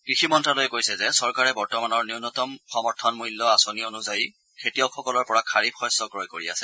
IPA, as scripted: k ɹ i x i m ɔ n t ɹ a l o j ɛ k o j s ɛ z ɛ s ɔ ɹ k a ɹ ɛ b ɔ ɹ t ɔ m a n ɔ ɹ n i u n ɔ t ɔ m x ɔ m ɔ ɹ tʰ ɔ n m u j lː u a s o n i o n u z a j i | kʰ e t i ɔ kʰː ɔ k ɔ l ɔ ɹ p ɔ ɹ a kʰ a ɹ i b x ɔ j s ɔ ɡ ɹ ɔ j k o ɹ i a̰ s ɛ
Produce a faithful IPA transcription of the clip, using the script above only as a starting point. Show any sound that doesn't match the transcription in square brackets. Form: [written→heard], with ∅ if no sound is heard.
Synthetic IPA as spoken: k ɹ i x i m ɔ n t ɹ a l o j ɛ k o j s ɛ z ɛ s ɔ ɹ k a ɹ ɛ b ɔ ɹ t ɔ m a n ɔ ɹ n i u n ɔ t ɔ m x ɔ m ɔ ɹ tʰ ɔ n m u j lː [u→ɔ] a s o n i o n u z a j i | kʰ e t i ɔ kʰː ɔ k ɔ l ɔ ɹ p ɔ ɹ a kʰ a ɹ i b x ɔ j s ɔ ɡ ɹ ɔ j k o ɹ i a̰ s ɛ